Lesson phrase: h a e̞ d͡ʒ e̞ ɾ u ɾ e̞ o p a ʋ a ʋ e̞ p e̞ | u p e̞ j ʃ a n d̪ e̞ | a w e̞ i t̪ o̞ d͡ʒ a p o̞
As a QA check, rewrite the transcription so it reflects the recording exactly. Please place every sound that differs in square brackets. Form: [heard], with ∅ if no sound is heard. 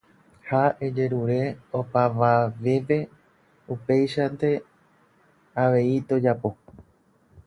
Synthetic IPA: h a e̞ d͡ʒ e̞ ɾ u ɾ e̞ o p a ʋ a ʋ e̞ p e̞ | u p e̞ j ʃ a n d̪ e̞ | a [ʋ] e̞ i t̪ o̞ d͡ʒ a p o̞